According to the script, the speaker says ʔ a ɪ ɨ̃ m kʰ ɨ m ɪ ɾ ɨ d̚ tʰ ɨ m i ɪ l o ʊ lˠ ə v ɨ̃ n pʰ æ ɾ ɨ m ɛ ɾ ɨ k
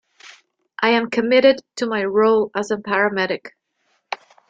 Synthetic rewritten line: ʔ a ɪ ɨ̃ m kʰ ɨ m ɪ ɾ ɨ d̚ tʰ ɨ m a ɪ ɹ o ʊ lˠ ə z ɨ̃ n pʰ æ ɹ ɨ m ɛ ɾ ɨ k